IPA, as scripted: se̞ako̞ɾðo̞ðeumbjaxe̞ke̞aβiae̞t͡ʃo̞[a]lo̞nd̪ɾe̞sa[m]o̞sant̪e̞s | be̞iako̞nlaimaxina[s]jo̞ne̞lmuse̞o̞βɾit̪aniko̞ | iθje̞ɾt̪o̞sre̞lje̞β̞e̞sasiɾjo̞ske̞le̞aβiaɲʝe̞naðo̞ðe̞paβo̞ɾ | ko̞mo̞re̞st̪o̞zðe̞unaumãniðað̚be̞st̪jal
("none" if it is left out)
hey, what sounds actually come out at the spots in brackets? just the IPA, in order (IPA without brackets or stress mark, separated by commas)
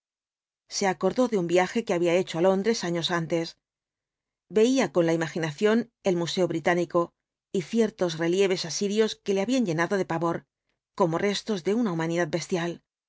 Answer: a, ɲ, θ